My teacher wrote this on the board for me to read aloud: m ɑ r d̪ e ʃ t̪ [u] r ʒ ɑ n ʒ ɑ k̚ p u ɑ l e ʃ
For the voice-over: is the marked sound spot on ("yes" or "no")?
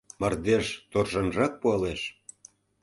no